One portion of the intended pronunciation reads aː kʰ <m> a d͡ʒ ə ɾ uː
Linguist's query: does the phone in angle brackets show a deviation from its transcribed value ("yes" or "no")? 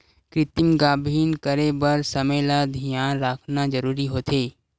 yes